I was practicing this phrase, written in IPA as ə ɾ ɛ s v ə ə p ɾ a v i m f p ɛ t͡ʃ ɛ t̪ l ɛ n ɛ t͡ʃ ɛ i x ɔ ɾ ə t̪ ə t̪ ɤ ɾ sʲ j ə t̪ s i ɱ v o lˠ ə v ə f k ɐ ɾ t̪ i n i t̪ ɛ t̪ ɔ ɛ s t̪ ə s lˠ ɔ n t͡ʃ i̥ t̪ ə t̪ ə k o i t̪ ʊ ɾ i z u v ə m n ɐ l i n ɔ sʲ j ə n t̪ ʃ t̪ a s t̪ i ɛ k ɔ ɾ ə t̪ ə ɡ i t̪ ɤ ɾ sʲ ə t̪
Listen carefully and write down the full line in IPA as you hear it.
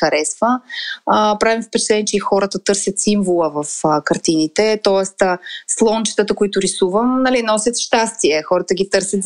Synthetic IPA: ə ɾ ɛ s v ə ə p ɾ a v i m f p ɛ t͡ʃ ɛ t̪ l ɛ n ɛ t͡ʃ ɛ i x ɔ ɾ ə t̪ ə t̪ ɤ ɾ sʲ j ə t̪ s i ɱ v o lˠ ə v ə f k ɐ ɾ t̪ i n i t̪ ɛ t̪ ɔ ɛ s t̪ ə s lˠ ɔ n t͡ʃ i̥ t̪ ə t̪ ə k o i t̪ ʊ ɾ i s u v ə m n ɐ l i n ɔ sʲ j ə t̪ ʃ t̪ a s t̪ i ɛ x ɔ ɾ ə t̪ ə ɡ i t̪ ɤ ɾ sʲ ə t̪